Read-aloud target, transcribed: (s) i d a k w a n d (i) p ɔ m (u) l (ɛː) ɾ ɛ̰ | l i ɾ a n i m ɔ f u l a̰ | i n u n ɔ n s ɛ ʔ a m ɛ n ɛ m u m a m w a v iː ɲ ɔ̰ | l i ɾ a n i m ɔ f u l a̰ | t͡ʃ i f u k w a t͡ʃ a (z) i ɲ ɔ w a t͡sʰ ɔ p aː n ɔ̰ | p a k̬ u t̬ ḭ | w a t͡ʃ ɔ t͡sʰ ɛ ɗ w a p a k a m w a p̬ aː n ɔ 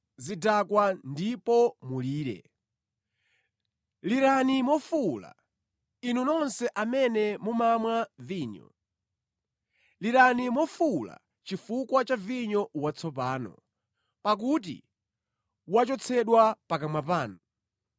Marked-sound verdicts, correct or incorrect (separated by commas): incorrect, correct, correct, incorrect, incorrect